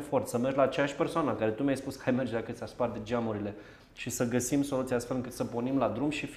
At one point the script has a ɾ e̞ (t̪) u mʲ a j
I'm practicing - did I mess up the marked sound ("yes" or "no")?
no